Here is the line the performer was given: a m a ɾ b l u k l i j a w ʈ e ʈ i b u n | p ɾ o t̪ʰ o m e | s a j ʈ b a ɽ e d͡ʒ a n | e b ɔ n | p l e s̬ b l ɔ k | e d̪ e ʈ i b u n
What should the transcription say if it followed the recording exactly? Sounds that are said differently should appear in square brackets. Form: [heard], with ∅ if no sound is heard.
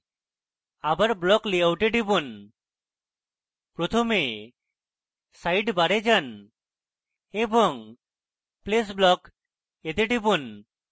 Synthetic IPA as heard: a [b] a ɾ b l [ɔ] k l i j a w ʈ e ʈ i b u n | p ɾ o t̪ʰ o m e | s a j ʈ b a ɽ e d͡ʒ a n | e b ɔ [ŋ] | p l e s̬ b l ɔ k | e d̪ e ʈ i b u n